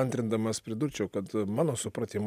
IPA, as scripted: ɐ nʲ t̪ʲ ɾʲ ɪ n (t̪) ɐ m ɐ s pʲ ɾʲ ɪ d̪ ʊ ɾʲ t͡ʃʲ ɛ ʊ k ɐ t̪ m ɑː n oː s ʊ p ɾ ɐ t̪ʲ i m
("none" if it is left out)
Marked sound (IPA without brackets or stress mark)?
d̪